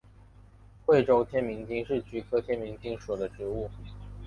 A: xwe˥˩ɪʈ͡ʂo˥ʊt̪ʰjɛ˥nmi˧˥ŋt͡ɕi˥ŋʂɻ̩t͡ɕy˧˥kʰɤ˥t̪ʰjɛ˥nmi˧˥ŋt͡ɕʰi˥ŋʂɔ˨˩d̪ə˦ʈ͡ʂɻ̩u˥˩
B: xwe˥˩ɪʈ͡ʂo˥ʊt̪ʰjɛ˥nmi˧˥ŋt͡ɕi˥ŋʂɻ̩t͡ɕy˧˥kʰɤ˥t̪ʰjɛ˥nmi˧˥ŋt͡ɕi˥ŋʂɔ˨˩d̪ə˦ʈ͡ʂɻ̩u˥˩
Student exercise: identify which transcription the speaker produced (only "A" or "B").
B